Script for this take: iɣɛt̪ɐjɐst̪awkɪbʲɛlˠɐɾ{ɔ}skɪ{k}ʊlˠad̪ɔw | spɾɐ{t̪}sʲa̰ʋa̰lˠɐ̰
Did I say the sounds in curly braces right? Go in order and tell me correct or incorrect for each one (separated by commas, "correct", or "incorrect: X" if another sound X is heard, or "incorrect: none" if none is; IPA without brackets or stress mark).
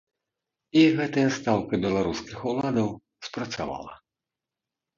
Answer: incorrect: u, incorrect: x, correct